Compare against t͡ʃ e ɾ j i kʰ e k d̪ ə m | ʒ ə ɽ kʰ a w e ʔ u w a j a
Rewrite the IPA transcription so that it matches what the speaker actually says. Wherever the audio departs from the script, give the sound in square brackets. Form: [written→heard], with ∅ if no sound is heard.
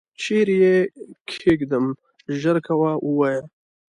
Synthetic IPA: t͡ʃ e ɾ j [i→e] kʰ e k d̪ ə m | ʒ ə [ɽ→ɾ] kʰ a w [e→a] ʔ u w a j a